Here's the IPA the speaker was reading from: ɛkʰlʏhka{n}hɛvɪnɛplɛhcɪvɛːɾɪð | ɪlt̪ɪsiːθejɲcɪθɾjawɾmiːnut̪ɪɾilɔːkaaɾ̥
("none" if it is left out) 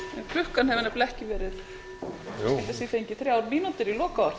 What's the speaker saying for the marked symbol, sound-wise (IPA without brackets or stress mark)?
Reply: n